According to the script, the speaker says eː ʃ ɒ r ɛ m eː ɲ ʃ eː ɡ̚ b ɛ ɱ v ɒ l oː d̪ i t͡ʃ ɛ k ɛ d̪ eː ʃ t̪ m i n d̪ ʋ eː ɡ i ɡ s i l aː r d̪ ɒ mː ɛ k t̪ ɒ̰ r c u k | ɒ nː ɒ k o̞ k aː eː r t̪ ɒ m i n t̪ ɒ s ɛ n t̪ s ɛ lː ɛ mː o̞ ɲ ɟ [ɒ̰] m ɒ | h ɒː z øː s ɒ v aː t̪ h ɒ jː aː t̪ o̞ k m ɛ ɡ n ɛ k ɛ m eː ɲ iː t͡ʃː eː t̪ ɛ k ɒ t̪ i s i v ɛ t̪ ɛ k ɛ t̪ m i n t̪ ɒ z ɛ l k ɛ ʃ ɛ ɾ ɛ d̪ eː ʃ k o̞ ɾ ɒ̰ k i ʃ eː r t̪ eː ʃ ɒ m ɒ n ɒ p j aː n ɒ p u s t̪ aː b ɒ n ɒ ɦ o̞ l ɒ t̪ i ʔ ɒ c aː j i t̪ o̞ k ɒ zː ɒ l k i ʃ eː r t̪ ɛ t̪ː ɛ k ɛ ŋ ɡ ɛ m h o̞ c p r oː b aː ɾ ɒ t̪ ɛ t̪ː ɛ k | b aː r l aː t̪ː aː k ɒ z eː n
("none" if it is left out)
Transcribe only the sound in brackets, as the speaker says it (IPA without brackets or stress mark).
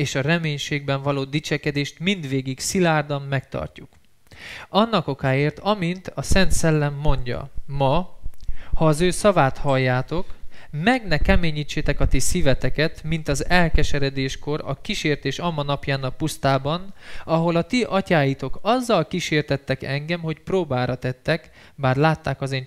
ɒ̰